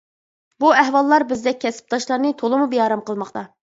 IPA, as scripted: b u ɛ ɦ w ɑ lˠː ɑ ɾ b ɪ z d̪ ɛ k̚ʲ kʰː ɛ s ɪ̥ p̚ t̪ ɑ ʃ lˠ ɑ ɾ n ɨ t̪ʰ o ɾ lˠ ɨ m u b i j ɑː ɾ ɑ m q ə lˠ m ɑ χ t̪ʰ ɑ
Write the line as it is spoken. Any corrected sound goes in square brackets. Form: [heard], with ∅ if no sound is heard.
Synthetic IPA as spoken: b u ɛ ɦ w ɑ lˠː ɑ ɾ b ɪ z d̪ ɛ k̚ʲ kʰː ɛ s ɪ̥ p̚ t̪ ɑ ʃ lˠ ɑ ɾ n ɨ t̪ʰ o [∅] lˠ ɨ m u b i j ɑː ɾ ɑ m q ə lˠ m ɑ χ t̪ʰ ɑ